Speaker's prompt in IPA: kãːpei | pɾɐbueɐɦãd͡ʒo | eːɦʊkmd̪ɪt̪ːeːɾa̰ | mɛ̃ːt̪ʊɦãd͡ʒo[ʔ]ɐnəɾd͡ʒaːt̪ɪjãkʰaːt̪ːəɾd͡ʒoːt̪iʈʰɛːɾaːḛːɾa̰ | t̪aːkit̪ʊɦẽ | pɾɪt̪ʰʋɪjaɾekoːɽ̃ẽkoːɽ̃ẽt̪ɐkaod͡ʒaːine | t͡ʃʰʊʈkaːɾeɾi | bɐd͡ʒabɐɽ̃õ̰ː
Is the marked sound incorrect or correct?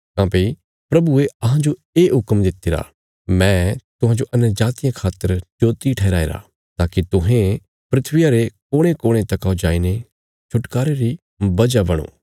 correct